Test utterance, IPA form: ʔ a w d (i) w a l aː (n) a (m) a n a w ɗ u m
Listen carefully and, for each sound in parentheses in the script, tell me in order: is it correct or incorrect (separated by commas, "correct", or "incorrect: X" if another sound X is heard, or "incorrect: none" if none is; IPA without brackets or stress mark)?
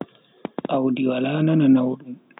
correct, correct, incorrect: n